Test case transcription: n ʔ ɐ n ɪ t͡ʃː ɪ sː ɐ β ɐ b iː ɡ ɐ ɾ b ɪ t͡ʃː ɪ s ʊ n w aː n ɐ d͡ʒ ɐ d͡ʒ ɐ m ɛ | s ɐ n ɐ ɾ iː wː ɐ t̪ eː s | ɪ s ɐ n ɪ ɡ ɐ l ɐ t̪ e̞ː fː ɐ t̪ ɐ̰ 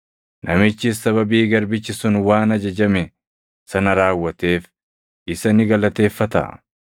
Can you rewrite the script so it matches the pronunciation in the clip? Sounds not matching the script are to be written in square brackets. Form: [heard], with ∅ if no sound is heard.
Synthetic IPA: n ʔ ɐ [m] ɪ t͡ʃː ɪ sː ɐ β ɐ b iː ɡ ɐ ɾ b ɪ t͡ʃː ɪ s ʊ n w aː n ɐ d͡ʒ ɐ d͡ʒ ɐ m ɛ | s ɐ n ɐ ɾ [aː] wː ɐ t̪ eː [f] | ɪ s ɐ n ɪ ɡ ɐ l ɐ t̪ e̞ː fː ɐ t̪ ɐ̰